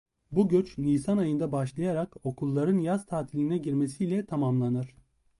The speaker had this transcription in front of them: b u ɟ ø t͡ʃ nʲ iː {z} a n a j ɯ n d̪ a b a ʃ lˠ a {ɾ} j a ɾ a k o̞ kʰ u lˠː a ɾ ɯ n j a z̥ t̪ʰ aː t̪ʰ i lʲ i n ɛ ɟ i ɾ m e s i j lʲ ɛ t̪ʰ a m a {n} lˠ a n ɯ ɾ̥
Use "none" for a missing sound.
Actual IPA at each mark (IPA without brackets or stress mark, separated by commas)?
s, none, m